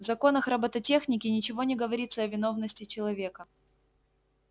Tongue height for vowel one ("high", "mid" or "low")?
low